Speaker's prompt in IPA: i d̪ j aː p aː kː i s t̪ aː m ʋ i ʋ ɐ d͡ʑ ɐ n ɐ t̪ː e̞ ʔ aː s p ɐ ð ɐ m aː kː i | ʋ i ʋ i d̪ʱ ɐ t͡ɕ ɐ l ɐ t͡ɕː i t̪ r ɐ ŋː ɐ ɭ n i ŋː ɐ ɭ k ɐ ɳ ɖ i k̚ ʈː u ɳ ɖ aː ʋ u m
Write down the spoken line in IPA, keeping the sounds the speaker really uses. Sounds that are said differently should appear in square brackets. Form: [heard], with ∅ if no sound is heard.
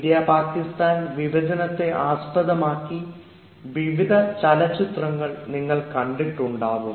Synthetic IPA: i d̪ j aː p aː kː i s t̪ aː [n] ʋ i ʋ ɐ d͡ʑ ɐ n ɐ t̪ː e̞ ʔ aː s p ɐ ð ɐ m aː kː i | ʋ i ʋ i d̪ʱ ɐ t͡ɕ ɐ l ɐ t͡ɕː i t̪ r ɐ ŋː ɐ ɭ n i ŋː ɐ ɭ k ɐ ɳ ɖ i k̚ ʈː u ɳ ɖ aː ʋ u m